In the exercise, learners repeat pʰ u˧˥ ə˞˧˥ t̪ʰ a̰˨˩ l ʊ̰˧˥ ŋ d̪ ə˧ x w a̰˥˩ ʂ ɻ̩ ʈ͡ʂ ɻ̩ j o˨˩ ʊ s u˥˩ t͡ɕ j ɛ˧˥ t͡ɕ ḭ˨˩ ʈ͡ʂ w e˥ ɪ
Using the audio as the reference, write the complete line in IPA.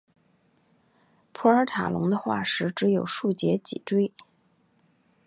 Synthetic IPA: pʰ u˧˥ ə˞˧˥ t̪ʰ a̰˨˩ l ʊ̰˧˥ ŋ d̪ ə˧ x w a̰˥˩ ʂ ɻ̩ ʈ͡ʂ ɻ̩ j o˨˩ ʊ ʂ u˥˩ t͡ɕ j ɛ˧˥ t͡ɕ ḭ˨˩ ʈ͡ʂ w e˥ ɪ